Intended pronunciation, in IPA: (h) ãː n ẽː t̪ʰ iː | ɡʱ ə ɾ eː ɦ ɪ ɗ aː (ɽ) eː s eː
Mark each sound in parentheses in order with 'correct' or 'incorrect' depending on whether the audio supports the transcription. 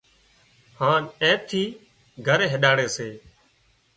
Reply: correct, correct

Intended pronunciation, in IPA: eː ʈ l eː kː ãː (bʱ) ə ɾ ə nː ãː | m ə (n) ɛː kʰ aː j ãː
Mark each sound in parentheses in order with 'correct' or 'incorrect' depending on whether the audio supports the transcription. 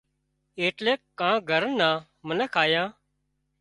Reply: incorrect: ɡʱ, correct

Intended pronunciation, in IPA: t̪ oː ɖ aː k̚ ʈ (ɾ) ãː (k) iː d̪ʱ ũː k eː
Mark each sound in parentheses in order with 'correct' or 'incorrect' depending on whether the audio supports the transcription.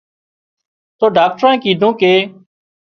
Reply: correct, correct

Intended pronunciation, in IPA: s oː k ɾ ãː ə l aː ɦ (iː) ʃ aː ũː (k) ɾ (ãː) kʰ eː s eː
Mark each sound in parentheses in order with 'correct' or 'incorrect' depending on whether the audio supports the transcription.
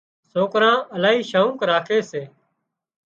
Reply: correct, correct, incorrect: aː

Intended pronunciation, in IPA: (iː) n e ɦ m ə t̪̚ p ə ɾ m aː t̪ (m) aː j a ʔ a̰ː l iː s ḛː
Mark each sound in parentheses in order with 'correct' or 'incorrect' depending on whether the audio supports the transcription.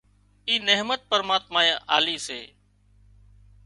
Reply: correct, correct

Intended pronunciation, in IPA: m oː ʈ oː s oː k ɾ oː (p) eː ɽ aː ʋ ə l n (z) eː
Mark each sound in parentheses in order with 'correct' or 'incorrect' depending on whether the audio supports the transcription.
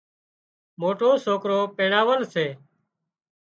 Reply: correct, incorrect: s

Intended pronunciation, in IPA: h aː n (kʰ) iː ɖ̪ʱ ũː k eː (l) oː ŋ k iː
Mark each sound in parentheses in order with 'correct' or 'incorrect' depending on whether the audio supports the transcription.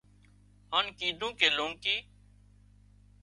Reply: incorrect: k, correct

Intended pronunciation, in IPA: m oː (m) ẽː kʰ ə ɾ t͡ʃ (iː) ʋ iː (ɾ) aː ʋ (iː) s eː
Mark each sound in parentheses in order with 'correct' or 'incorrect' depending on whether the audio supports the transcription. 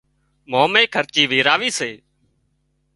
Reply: correct, correct, correct, correct

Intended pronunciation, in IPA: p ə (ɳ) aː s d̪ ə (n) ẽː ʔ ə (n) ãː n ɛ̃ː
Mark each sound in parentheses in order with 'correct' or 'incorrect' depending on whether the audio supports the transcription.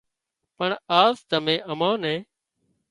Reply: correct, incorrect: m, incorrect: m

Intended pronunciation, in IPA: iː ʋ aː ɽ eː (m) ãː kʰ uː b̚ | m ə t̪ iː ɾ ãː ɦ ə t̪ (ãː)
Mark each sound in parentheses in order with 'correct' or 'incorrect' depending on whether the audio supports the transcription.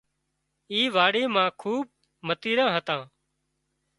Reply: correct, correct

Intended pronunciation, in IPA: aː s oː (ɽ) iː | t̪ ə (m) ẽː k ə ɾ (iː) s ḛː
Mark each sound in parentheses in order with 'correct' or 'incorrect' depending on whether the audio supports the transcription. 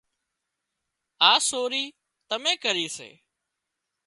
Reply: incorrect: ɾ, correct, correct

